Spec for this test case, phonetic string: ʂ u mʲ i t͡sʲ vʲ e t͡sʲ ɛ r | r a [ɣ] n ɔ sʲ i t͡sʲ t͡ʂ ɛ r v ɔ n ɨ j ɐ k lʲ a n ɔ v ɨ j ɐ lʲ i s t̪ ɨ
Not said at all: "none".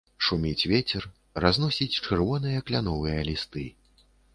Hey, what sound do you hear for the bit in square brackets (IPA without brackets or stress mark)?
z